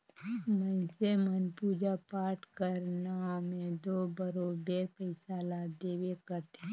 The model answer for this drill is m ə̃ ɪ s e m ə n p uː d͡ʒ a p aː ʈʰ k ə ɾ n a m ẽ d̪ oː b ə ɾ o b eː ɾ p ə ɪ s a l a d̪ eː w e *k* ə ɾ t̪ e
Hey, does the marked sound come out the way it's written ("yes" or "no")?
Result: yes